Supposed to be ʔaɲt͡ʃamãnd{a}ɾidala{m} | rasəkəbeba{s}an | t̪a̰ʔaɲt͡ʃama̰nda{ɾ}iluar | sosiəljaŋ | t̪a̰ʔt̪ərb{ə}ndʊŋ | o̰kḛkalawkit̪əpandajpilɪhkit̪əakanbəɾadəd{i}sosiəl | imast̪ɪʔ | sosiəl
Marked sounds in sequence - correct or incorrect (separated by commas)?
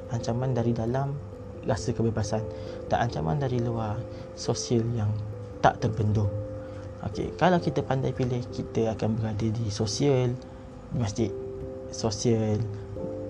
correct, correct, correct, correct, correct, correct